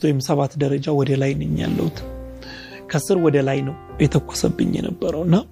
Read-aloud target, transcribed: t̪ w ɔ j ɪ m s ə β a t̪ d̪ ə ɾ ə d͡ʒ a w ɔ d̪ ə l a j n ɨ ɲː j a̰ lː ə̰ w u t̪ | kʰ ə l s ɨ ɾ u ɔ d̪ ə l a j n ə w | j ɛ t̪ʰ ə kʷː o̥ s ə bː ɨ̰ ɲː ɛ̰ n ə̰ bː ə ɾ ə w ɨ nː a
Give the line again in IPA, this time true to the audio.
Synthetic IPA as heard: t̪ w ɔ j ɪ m s ə β a t̪ d̪ ə ɾ ə d͡ʒ a w ɔ d̪ ə l a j n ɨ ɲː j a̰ lː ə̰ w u t̪ | kʰ ə s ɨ ɾ w ɔ d̪ ə l a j n ə w | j ɛ t̪ʰ ə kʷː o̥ s ə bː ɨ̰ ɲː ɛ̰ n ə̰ bː ə ɾ ə w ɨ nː a